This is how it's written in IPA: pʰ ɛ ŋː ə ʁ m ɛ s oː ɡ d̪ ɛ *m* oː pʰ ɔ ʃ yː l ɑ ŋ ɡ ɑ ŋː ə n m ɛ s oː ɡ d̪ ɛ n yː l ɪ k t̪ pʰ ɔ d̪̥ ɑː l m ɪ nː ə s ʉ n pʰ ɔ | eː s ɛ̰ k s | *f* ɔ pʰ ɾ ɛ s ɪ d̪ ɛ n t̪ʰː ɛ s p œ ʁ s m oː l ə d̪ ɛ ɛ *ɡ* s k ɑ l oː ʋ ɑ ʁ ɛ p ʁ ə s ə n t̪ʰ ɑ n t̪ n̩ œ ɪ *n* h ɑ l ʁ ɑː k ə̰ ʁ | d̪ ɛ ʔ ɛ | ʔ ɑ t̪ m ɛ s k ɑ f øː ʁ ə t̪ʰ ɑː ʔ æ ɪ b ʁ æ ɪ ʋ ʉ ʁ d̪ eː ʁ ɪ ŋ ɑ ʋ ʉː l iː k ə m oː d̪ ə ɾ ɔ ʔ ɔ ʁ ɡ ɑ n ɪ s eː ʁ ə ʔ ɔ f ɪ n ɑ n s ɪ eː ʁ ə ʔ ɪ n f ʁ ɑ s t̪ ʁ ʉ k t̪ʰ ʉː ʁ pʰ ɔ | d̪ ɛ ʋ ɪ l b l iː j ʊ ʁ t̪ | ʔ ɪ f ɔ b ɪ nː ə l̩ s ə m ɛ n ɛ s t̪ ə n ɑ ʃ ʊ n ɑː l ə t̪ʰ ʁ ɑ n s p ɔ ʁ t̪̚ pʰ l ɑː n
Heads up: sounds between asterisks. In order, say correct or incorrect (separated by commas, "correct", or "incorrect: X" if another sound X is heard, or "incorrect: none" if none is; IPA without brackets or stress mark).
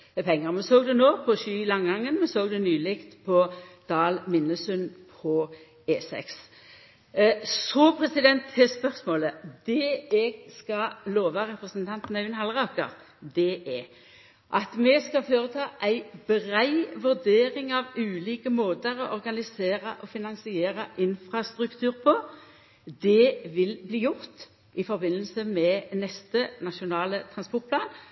incorrect: n, incorrect: s, correct, correct